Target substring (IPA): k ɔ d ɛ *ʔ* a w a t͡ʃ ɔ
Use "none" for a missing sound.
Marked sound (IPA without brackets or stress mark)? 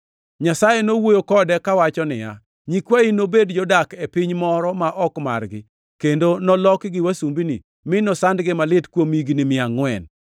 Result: k